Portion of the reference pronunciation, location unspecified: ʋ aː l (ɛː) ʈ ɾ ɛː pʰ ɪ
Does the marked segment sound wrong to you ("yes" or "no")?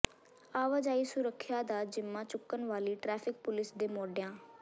yes